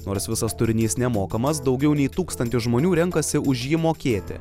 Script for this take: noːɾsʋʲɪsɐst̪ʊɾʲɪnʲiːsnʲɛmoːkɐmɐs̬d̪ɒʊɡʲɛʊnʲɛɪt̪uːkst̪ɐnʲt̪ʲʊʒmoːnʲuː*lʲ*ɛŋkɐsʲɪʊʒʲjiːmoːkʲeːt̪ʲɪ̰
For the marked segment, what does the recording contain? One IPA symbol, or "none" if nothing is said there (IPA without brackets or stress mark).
ɾʲ